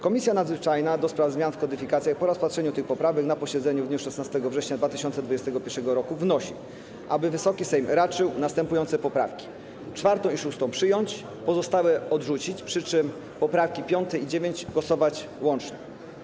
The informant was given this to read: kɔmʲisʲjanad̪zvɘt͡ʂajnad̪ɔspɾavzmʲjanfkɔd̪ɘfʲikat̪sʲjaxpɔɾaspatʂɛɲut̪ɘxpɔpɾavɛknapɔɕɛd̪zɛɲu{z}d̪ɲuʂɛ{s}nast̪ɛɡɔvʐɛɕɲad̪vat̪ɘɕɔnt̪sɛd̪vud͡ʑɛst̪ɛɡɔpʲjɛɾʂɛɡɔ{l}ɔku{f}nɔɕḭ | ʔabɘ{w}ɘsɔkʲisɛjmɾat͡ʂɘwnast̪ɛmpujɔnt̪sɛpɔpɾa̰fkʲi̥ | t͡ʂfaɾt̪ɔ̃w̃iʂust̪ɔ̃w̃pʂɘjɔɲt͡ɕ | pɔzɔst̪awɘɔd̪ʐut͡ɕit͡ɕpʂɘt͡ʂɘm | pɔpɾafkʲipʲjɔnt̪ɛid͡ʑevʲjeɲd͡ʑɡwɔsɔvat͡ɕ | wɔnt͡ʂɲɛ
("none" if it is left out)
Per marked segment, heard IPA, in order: v, s, ɾ, v, v

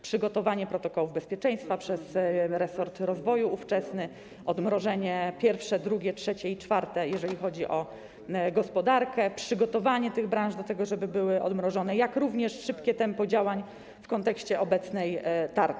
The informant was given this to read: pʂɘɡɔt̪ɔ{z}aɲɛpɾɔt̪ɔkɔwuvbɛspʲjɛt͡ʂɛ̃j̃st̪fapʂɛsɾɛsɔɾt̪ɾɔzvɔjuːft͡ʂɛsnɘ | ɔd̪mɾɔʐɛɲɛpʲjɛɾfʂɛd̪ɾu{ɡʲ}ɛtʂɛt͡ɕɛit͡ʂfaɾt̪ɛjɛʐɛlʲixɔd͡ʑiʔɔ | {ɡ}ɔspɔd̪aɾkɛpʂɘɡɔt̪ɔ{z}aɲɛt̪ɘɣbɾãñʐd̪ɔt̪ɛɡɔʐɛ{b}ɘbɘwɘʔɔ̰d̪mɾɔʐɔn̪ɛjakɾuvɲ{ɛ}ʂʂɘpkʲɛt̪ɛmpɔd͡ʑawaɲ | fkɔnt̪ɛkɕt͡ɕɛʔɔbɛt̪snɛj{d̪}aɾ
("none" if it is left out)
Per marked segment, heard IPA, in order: v, ɡʲ, ɡ, v, b, ɛ, t̪

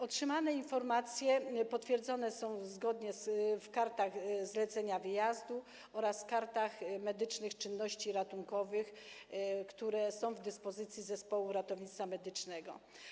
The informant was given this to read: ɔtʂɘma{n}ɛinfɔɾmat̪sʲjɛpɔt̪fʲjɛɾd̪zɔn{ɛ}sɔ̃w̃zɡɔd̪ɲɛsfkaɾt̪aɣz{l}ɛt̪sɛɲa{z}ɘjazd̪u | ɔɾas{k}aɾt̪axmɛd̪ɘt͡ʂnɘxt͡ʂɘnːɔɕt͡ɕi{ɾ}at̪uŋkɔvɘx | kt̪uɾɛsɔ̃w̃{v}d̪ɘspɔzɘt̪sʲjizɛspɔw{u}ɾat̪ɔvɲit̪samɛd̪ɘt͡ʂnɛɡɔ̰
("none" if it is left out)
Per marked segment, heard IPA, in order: n, ɛ, l, v, k, ɾ, v, u

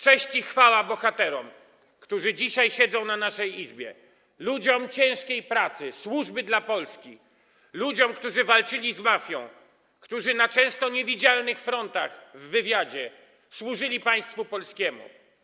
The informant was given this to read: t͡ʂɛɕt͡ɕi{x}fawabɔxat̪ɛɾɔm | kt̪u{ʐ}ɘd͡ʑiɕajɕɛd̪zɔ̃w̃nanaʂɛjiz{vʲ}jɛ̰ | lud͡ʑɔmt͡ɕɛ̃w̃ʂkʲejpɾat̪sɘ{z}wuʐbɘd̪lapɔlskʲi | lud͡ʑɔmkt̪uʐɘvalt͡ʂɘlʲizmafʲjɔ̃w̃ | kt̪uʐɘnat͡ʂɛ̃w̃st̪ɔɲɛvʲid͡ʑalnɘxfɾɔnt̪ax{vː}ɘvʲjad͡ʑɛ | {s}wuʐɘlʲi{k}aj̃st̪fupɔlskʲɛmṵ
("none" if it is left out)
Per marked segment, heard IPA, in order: x, ʐ, bʲ, s, vː, s, p

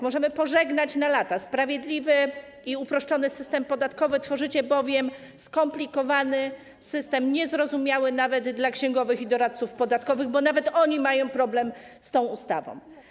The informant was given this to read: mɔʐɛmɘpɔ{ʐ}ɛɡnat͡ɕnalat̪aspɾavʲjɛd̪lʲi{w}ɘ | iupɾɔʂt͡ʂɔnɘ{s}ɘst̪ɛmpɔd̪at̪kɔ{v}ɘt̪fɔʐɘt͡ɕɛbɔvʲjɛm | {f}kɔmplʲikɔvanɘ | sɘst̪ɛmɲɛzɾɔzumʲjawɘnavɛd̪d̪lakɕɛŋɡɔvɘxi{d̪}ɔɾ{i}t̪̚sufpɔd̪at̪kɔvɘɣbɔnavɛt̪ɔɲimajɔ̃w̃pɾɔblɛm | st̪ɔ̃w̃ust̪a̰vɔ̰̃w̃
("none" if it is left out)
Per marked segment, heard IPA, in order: ʐ, v, s, v, s, d̪, a

